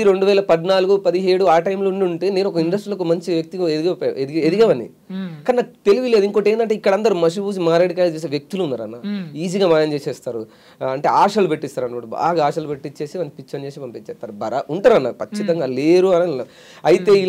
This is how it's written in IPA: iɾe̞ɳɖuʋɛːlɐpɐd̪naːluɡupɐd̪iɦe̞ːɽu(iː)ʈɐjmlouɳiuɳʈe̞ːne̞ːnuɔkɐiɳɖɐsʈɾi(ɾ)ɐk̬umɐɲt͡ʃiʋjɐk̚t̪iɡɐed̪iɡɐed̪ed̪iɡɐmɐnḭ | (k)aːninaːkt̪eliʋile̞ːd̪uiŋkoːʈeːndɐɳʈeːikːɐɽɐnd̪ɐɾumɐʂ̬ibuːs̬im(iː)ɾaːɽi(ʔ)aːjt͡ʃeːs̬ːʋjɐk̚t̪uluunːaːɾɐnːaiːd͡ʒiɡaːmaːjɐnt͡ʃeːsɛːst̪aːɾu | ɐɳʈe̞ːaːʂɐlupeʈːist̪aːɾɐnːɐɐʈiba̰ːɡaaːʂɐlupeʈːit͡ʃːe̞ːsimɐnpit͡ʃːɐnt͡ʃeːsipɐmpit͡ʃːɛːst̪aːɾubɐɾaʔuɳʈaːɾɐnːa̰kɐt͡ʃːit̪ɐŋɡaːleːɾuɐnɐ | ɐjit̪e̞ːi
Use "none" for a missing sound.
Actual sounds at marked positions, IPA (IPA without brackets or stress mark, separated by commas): aː, l, k, aː, k